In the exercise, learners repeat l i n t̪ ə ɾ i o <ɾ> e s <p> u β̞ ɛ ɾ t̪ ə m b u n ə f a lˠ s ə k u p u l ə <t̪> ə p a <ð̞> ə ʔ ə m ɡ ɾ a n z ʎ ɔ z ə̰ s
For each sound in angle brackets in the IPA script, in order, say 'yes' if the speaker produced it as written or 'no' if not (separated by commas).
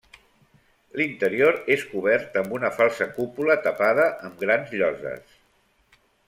yes, no, yes, yes